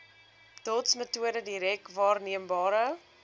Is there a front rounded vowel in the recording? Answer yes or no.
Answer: no